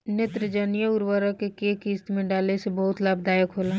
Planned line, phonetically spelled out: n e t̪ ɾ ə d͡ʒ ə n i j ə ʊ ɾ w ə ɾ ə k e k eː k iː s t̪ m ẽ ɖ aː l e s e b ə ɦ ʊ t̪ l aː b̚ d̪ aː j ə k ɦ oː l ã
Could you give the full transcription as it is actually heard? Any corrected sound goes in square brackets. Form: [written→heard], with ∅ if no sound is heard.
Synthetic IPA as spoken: n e t̪ ɾ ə d͡ʒ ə n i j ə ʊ ɾ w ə ɾ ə k e k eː k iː s t̪ m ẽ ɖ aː l e s e b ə ɦ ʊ t̪ l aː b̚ d̪ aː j ə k ɦ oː l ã